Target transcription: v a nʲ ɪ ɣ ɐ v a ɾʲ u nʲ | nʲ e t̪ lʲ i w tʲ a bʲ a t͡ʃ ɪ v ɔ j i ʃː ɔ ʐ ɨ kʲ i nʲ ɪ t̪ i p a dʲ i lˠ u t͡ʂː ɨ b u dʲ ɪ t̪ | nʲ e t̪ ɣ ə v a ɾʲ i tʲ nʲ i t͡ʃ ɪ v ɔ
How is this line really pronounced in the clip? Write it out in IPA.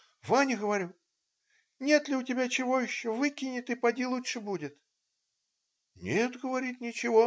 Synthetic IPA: v a nʲ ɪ ɣ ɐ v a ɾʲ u | nʲ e t̪ lʲ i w tʲ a bʲ a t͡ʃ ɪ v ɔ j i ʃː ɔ v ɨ kʲ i nʲ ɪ t̪ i p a dʲ i lˠ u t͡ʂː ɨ b u dʲ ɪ t̪ | nʲ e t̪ ɣ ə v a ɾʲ i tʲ nʲ i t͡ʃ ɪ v ɔ